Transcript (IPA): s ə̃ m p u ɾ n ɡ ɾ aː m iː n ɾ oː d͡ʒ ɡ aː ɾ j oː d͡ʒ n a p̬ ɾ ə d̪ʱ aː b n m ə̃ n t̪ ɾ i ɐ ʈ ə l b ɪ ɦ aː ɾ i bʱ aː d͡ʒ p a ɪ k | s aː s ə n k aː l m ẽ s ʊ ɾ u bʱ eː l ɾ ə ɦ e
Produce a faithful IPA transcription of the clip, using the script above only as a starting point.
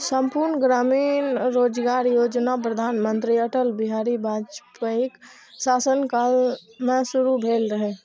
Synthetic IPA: s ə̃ m p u ɾ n ɡ ɾ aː m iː n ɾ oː d͡ʒ ɡ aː ɾ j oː d͡ʒ n a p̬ ɾ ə d̪ʱ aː n m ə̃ n t̪ ɾ i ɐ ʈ ə l b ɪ ɦ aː ɾ i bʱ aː d͡ʒ p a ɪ k | s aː s ə n k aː l m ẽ s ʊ ɾ u bʱ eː l ɾ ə ɦ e